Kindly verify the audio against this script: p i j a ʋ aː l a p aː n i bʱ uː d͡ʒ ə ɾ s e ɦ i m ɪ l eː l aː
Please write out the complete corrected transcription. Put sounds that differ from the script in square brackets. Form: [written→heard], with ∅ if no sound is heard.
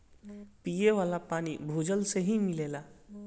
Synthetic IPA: p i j [a→e] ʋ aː l a p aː n i bʱ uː d͡ʒ ə [ɾ→l] s e ɦ i m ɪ l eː l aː